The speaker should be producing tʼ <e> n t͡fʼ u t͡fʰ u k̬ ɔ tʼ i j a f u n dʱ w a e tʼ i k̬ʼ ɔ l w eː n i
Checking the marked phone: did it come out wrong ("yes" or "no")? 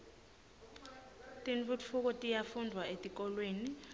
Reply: yes